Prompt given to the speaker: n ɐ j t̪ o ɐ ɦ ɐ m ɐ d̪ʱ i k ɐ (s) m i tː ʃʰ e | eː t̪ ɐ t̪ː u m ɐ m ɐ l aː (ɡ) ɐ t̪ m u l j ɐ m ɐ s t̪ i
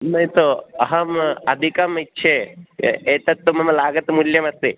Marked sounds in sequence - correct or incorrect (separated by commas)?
incorrect, correct